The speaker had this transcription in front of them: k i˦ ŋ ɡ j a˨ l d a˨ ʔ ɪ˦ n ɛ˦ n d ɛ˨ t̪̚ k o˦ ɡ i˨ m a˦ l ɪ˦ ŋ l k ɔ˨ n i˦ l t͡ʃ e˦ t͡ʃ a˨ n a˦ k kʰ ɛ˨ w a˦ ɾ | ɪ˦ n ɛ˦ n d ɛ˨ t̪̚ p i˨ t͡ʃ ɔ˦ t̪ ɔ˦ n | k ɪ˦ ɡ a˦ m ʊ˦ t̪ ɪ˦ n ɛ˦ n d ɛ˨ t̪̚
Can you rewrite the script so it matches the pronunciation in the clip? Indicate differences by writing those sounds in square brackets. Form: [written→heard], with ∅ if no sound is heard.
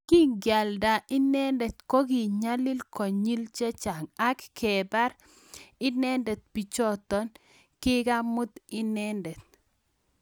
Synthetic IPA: k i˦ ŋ ɡ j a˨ l d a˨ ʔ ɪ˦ n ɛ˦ n d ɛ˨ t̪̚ k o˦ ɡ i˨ [m→ɲ] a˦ l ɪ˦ [ŋ→∅] l k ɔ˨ [n→ɲ] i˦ l t͡ʃ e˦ t͡ʃ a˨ [n→ŋ] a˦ k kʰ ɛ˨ [w→b] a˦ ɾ | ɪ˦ n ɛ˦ n d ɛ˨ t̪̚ p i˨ t͡ʃ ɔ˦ t̪ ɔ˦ n | k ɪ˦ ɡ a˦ m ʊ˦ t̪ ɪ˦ n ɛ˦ n d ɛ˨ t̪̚